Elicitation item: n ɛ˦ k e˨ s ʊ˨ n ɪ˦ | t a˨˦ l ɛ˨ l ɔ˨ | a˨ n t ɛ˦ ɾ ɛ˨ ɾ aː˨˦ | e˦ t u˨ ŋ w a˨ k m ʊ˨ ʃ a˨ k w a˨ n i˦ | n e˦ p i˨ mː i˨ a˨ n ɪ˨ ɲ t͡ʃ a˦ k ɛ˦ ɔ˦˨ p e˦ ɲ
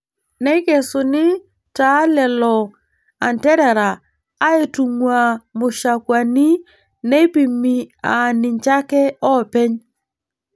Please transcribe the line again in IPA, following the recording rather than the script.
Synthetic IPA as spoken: n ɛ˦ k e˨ s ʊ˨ n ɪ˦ | t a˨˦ l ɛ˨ l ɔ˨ | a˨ n t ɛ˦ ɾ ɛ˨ ɾ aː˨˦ | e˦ t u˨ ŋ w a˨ m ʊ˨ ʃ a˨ k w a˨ n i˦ | n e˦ p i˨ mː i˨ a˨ n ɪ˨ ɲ t͡ʃ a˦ k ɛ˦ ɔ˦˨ p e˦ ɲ